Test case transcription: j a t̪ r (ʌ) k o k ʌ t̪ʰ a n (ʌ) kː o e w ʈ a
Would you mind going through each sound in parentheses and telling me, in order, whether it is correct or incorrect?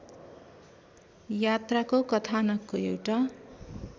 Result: incorrect, correct

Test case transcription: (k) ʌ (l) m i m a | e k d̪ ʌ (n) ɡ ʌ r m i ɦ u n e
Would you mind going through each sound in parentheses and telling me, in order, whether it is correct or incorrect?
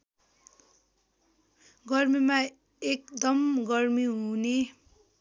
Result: incorrect, incorrect, incorrect

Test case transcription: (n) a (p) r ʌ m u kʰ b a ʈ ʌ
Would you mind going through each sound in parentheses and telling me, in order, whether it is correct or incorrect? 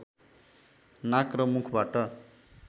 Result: correct, incorrect

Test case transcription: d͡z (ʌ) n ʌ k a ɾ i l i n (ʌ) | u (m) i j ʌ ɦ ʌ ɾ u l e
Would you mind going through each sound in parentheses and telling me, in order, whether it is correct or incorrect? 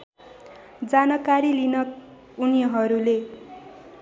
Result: incorrect, correct, incorrect

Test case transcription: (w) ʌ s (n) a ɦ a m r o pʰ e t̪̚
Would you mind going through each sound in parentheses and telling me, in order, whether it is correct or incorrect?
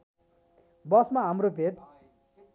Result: incorrect, incorrect

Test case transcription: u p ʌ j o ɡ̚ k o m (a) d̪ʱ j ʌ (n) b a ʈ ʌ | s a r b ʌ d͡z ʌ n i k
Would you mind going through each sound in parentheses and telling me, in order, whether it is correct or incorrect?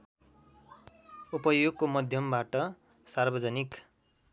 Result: incorrect, incorrect

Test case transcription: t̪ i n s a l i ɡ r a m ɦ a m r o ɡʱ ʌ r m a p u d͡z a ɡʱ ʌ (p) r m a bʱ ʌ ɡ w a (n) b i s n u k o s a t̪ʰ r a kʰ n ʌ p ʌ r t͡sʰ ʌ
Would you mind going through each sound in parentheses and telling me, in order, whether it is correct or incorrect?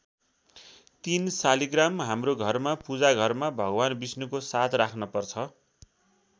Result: incorrect, correct

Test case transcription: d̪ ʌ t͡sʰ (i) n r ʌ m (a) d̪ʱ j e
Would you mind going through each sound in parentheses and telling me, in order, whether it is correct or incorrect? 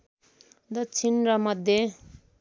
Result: correct, incorrect

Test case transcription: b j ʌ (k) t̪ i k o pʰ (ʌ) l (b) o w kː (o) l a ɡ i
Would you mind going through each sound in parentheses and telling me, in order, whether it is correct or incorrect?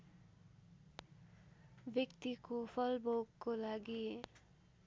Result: correct, correct, correct, correct

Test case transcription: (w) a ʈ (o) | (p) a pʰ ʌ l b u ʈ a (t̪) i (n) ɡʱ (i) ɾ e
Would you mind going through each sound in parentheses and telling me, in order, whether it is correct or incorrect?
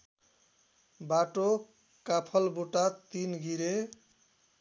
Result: incorrect, correct, incorrect, correct, correct, correct

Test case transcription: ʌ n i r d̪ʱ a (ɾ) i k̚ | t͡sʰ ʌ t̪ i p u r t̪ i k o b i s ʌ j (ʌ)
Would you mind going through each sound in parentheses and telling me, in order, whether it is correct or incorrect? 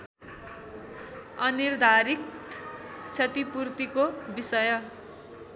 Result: correct, correct

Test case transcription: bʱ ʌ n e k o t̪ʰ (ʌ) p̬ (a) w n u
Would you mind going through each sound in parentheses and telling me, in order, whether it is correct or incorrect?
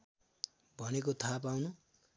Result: incorrect, correct

